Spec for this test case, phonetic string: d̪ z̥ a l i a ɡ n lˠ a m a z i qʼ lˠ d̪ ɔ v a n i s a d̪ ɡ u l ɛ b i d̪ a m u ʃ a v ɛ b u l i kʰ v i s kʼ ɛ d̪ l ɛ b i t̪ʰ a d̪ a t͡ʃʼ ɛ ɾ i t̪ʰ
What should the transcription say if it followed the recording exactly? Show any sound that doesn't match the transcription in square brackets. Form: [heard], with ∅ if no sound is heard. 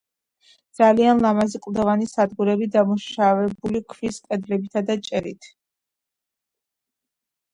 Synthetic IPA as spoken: d̪ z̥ a l i a [∅] n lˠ a m a z i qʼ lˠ d̪ ɔ v a n i s a d̪ ɡ u [ɾ] ɛ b i d̪ a m u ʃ a v ɛ b u l i kʰ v i s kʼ ɛ d̪ l ɛ b i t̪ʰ a d̪ a t͡ʃʼ ɛ ɾ i t̪ʰ